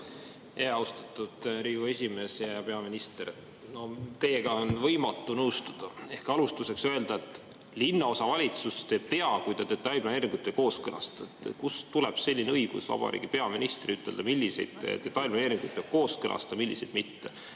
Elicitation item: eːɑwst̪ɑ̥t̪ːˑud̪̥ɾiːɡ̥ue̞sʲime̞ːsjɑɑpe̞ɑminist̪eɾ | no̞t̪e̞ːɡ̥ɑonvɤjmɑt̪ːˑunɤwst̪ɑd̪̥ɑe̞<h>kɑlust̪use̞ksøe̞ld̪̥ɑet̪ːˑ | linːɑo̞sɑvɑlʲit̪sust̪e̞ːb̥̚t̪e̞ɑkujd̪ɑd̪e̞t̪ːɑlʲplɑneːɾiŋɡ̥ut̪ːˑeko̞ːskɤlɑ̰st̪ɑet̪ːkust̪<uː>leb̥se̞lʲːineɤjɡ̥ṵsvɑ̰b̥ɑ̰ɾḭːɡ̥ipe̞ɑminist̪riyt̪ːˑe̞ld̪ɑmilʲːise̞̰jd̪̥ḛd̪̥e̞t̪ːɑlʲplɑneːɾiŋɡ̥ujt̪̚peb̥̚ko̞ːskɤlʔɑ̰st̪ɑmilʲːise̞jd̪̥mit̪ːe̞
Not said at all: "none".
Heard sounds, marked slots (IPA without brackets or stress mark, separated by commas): h, u